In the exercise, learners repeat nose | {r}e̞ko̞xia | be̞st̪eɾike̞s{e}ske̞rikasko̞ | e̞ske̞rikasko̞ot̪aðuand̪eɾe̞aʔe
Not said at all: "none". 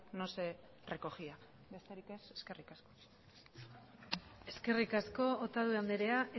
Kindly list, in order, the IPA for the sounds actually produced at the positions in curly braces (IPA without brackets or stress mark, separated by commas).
r, e